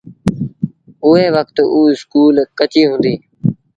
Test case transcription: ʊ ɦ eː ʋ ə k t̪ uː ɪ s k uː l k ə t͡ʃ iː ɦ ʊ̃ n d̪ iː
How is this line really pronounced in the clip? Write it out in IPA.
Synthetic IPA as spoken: ʊ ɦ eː ʋ ə k t̪ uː ɪ s k uː l k ə t͡ʃ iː ɦ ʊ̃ n d̪ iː

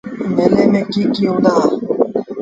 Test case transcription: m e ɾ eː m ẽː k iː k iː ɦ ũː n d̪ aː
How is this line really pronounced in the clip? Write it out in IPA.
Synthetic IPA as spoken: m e l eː m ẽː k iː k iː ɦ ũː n d̪ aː

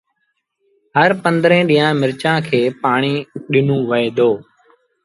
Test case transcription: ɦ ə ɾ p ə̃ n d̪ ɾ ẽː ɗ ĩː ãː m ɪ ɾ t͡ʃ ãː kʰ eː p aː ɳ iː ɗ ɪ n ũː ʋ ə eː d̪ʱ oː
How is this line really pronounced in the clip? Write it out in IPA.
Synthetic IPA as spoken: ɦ ə ɾ p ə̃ n d̪ ɾ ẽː ɗ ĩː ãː m ɪ ɾ t͡ʃ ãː kʰ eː p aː ɳ iː ɗ ɪ n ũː ʋ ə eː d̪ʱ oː

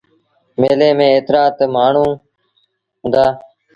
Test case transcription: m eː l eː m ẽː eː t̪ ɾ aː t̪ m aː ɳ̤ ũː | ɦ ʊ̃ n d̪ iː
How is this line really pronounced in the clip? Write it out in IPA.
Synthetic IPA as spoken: m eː l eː m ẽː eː t̪ ɾ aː t̪ m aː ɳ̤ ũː | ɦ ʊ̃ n d̪ aː

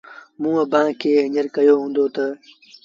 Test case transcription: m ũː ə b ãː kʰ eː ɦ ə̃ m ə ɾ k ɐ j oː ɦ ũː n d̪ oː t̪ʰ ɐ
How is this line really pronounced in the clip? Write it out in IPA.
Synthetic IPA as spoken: m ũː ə b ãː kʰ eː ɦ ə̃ ɲ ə ɾ k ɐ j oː ɦ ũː n d̪ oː t̪ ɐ

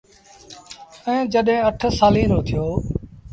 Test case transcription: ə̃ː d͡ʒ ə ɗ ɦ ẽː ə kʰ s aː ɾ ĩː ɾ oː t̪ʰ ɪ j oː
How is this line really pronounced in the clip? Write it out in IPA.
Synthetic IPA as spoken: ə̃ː d͡ʒ ə ɗ ɦ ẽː ə ʈʰ s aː l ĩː ɾ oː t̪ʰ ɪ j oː

